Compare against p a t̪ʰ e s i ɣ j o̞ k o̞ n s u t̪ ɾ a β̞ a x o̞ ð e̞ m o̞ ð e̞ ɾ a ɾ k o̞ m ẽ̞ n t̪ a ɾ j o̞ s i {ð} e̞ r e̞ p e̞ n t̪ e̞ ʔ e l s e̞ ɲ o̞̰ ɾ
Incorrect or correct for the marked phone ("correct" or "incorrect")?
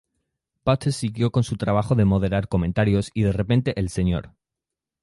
correct